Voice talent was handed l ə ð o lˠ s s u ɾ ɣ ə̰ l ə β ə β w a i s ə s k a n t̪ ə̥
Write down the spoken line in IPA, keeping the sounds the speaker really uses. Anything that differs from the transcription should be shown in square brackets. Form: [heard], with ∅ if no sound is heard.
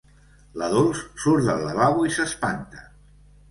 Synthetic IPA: l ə ð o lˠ s s u ɾ [ð] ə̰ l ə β [a] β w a i s ə s [p] a n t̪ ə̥